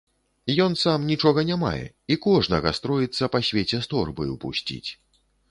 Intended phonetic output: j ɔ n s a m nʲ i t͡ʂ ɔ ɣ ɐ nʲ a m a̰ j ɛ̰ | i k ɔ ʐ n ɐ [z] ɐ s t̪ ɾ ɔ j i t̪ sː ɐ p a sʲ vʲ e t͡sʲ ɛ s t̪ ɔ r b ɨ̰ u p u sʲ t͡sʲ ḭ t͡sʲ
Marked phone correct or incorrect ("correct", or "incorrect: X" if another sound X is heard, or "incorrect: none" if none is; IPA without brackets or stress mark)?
incorrect: ɣ